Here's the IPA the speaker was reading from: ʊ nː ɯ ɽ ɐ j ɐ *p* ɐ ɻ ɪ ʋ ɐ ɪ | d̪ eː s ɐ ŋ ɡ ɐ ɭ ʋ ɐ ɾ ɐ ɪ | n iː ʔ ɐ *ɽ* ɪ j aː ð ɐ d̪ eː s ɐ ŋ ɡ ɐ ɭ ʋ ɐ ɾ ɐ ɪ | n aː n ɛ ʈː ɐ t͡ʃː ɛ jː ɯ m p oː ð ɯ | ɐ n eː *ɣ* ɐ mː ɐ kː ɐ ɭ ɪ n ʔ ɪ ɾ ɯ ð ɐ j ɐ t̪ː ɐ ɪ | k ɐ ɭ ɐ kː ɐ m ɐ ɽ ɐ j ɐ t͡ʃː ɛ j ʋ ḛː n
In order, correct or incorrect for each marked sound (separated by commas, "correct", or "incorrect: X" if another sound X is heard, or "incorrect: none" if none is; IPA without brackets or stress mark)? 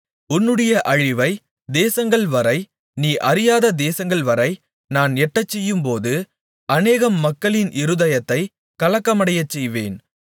incorrect: ʔ, incorrect: ɾ, correct